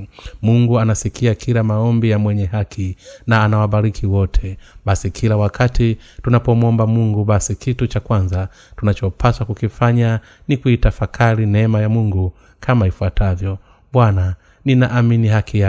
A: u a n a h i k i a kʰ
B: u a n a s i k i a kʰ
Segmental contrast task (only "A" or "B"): B